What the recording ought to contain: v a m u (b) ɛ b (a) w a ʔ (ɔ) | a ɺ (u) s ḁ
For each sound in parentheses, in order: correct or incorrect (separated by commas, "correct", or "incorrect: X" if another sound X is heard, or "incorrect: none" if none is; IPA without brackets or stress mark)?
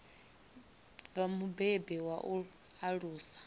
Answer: correct, incorrect: ɛ, incorrect: u, incorrect: uː